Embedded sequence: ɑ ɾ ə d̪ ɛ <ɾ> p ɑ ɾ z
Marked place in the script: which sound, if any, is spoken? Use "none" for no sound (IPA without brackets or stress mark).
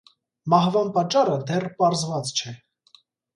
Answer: r